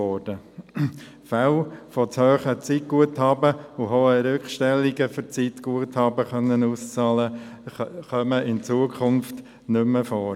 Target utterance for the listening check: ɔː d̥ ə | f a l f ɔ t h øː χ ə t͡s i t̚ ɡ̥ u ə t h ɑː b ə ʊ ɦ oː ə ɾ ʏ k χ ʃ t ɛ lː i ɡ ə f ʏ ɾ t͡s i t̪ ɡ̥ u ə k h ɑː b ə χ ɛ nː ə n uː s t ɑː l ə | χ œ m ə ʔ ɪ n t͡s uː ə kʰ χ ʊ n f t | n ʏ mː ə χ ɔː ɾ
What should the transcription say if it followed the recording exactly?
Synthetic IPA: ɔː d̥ ə | f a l f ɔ t͡s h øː χ ə t͡s i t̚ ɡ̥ u ə t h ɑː b ə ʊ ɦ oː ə ɾ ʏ k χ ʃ t ɛ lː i ɡ ə f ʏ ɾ t͡s i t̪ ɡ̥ u ə t h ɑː b ə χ œ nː ə n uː s t͡s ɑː l ə | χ œ m ə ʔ ɪ n t͡s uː ə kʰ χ ʊ n f t | n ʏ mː ə f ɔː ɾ